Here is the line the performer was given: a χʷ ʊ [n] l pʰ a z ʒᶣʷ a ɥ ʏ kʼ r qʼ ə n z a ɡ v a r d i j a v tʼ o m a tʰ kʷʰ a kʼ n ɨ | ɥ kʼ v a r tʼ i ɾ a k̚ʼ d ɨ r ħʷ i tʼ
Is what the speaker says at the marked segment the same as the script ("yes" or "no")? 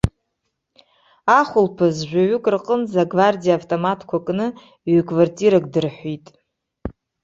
no